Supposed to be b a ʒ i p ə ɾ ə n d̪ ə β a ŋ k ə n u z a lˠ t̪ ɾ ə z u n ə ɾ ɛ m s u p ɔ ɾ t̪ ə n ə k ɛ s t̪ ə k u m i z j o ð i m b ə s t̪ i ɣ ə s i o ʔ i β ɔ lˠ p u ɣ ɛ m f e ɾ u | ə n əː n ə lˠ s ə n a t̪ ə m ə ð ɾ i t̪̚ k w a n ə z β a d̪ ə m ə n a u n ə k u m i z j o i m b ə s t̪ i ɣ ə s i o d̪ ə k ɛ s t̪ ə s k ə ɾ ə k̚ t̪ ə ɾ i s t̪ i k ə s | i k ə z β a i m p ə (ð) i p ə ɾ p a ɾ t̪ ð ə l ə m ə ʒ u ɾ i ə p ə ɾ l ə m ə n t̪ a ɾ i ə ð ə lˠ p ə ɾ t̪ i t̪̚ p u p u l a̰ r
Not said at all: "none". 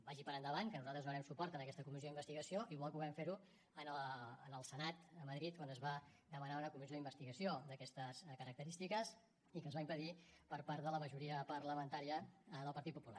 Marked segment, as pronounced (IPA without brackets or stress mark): ð